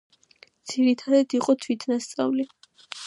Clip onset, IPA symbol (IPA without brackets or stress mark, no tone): d̪